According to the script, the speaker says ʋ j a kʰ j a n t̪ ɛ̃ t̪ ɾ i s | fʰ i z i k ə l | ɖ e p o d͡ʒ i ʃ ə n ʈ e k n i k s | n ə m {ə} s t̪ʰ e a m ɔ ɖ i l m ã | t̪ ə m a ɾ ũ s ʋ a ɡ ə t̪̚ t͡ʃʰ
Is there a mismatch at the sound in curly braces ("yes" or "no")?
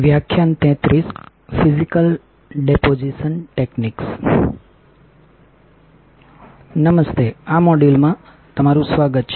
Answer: no